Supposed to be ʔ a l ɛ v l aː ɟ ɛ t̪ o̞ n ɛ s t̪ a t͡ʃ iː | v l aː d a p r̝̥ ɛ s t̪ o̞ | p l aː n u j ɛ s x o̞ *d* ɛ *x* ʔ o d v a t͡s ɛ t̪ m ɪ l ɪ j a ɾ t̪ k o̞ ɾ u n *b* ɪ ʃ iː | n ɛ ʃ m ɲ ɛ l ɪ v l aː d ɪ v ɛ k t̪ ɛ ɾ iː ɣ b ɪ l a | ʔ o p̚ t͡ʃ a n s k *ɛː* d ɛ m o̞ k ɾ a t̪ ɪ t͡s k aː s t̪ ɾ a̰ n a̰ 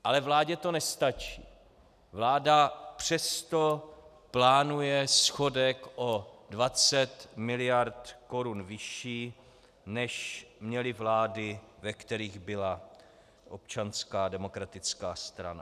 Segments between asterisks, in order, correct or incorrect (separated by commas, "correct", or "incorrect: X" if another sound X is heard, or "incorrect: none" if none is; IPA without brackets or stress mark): correct, incorrect: k, incorrect: v, incorrect: aː